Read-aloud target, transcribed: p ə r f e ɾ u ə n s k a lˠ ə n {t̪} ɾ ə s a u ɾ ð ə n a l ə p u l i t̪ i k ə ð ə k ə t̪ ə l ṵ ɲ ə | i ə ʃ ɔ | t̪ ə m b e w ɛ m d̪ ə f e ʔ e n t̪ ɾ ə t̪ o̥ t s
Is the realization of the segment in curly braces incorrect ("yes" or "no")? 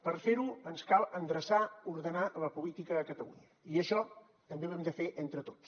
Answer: yes